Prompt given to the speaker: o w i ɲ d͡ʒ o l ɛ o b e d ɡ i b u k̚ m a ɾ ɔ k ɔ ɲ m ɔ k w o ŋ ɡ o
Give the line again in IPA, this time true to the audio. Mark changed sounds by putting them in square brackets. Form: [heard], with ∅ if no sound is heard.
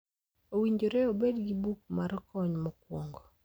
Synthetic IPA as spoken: o w i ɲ d͡ʒ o [ɾ] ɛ o b e d ɡ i b u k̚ m a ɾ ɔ k ɔ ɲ m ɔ k w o ŋ ɡ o